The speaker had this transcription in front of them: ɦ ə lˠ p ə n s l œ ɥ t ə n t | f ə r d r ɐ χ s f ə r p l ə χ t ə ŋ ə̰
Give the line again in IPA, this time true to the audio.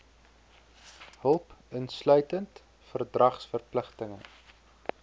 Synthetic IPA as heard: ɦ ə lˠ p ə n s l œ ɥ t ə n t | f ə r d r ɐ χ s f ə r p l ə χ t ə ŋ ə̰